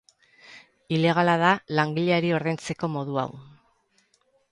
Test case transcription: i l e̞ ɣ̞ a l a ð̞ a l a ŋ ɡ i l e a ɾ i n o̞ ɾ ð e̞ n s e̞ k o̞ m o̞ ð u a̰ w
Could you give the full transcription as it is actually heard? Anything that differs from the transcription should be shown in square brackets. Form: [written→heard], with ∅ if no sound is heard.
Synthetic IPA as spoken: i l e̞ ɣ̞ a l a ð̞ a l a ŋ ɡ i [l→ʎ] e a ɾ i [n→∅] o̞ ɾ ð e̞ n [s→t͡s] e̞ k o̞ m o̞ ð u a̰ w